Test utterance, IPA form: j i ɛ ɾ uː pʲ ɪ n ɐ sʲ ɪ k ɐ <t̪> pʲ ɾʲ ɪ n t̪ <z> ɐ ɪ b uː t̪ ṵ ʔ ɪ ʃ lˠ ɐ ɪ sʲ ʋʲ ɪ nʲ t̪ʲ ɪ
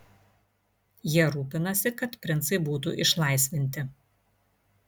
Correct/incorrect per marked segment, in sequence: correct, incorrect

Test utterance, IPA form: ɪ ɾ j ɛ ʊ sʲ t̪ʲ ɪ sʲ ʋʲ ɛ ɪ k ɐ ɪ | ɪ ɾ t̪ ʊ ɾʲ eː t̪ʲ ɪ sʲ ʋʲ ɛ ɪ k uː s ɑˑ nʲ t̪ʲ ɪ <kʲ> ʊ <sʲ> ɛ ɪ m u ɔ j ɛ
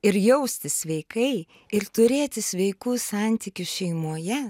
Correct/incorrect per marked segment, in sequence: correct, incorrect

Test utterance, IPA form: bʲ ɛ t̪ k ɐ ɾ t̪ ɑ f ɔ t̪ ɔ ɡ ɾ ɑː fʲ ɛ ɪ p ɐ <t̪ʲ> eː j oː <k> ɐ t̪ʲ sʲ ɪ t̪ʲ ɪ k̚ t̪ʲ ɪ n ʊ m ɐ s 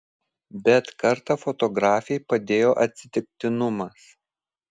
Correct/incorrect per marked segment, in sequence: incorrect, incorrect

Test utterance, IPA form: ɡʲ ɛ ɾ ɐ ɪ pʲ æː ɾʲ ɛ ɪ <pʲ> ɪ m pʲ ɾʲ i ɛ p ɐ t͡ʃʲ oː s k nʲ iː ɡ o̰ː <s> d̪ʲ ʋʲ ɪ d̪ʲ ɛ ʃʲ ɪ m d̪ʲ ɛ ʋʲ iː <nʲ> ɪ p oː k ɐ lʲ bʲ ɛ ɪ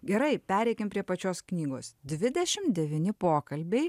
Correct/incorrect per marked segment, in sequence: incorrect, correct, correct

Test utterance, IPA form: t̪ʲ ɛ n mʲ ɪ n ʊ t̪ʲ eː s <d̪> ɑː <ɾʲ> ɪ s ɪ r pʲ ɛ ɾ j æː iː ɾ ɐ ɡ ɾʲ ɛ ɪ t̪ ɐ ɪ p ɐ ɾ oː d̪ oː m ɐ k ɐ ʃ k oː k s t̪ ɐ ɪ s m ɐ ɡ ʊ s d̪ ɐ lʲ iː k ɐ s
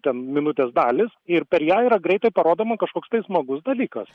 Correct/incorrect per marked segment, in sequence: correct, incorrect

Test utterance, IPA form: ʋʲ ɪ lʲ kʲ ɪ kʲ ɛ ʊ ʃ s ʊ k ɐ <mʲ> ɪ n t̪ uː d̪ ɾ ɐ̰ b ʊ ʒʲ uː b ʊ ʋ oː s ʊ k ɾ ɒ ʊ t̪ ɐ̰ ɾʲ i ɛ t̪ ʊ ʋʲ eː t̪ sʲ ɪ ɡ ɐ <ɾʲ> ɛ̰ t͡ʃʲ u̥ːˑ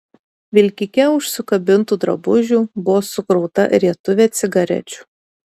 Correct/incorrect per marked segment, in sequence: incorrect, correct

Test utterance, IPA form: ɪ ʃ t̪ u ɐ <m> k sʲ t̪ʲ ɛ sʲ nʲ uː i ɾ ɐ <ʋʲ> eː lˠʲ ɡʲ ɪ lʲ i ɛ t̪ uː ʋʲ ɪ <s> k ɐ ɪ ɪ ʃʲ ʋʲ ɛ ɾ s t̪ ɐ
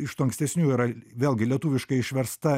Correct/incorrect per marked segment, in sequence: incorrect, correct, incorrect

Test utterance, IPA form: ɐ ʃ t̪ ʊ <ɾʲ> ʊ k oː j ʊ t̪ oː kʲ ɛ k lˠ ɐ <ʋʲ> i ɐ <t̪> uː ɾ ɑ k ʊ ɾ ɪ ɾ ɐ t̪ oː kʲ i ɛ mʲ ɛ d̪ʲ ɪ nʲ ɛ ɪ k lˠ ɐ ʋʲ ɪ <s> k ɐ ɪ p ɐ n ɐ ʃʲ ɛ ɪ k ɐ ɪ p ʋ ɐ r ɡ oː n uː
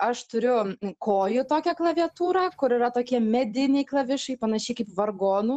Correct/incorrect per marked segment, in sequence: correct, correct, correct, incorrect

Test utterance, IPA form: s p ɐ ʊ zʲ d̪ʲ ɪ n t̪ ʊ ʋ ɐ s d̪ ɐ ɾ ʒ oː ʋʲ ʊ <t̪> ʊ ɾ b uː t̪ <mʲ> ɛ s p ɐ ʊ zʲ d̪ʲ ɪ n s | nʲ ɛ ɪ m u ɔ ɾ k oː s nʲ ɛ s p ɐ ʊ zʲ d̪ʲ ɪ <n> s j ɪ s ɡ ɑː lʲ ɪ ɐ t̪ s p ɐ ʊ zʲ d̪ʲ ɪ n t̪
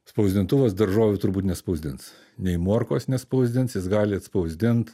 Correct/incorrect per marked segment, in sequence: correct, incorrect, correct

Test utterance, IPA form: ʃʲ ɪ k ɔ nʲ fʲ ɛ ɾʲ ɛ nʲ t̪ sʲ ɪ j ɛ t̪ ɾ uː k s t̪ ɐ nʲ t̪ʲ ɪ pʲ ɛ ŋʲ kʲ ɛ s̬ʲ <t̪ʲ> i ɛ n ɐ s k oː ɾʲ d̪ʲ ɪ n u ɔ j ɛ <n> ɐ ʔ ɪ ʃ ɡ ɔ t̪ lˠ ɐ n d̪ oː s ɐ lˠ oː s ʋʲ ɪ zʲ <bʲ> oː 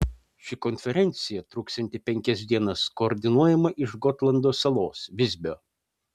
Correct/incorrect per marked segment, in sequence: incorrect, incorrect, correct

